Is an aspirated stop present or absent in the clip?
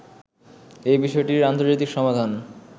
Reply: absent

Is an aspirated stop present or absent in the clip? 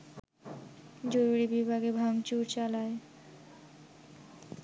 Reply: absent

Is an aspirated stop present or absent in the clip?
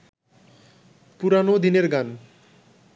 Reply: absent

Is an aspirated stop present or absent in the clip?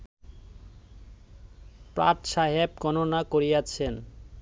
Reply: present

